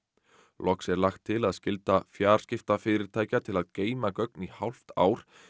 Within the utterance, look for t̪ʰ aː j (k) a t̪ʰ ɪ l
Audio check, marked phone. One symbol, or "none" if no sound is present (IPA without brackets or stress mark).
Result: c